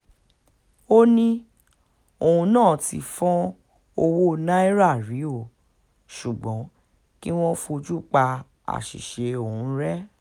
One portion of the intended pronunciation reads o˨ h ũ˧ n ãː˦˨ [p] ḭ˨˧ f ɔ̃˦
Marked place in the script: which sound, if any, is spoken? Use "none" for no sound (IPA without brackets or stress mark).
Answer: t